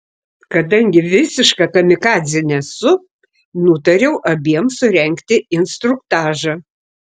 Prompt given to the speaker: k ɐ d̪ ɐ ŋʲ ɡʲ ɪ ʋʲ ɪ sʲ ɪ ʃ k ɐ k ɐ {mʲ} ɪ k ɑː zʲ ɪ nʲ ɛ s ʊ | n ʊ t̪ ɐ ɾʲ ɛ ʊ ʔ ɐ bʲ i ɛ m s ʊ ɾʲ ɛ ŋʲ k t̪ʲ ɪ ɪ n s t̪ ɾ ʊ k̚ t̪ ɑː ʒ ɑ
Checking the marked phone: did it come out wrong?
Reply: no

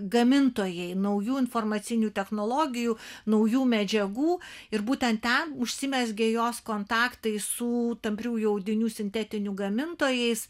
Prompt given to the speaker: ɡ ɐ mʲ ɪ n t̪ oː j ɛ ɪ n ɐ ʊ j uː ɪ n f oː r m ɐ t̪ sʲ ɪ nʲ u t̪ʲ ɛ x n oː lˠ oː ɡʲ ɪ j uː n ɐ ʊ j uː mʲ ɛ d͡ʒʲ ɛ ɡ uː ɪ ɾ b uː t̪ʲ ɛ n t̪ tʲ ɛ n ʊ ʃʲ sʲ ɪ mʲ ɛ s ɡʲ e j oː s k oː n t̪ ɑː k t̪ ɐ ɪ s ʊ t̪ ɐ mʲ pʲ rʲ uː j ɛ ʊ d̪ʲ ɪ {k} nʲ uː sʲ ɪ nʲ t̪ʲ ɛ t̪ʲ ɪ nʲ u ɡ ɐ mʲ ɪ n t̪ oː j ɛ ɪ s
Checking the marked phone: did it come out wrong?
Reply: yes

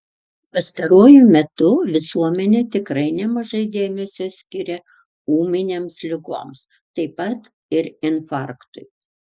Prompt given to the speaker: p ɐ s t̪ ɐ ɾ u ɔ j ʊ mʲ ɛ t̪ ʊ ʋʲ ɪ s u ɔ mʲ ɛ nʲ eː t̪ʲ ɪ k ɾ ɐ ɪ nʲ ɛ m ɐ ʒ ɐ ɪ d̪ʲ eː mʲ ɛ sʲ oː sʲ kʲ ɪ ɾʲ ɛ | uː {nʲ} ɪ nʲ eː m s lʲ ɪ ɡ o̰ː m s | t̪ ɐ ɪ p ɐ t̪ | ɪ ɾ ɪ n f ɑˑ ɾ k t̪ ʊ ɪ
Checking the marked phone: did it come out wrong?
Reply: yes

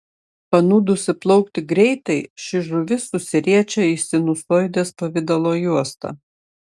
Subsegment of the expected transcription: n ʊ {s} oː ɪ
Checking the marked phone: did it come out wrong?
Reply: no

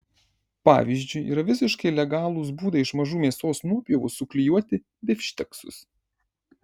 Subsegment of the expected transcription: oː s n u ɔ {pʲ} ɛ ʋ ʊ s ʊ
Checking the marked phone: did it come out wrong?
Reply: no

